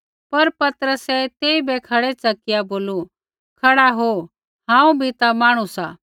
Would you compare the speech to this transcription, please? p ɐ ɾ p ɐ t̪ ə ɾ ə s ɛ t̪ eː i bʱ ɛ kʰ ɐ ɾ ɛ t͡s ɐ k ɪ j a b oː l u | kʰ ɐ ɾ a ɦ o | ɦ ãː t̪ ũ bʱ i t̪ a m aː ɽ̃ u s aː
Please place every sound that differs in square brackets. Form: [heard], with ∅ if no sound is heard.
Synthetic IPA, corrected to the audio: p ɐ ɾ p ɐ t̪ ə ɾ ə s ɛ t̪ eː i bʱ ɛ kʰ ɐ [ɽ] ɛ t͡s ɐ k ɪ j a b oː l u | kʰ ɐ [ɽ] a ɦ o | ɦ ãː [∅] ũ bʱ i t̪ a m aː ɽ̃ u s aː